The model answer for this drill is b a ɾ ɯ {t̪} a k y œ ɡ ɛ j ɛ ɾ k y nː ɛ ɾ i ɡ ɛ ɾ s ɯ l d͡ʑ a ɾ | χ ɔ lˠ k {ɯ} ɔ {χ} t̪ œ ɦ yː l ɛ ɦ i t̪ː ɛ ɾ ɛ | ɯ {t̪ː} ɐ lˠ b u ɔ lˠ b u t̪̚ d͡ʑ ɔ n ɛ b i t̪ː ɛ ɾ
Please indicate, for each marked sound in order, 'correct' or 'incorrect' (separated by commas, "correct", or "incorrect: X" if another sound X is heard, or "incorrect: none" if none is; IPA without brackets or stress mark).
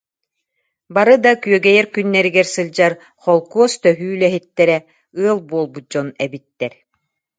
incorrect: d̪, incorrect: u, incorrect: s, incorrect: none